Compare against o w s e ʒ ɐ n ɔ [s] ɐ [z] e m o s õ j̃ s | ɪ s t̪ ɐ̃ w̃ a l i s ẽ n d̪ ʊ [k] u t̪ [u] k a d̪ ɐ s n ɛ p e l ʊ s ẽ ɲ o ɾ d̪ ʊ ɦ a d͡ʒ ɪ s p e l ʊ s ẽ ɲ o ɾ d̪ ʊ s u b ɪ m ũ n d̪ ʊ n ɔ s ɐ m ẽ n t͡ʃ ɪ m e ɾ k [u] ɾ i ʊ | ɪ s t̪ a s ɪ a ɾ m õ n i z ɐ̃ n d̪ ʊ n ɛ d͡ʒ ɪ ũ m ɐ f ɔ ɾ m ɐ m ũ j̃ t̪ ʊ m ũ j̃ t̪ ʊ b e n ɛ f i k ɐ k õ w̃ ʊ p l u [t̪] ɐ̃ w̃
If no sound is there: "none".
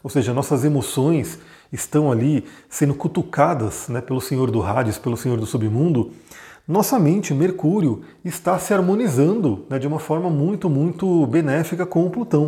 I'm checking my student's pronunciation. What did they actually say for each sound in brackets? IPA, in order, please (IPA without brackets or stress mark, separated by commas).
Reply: s, z, k, u, u, t̪